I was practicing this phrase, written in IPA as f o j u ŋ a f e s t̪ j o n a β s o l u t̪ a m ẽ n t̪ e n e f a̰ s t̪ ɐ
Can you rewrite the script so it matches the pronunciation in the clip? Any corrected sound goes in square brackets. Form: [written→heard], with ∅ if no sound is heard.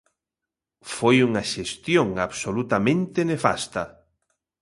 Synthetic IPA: f o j u ŋ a [f→ʃ] e s t̪ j o [n→ŋ] a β s o l u t̪ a m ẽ n t̪ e n e f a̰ s t̪ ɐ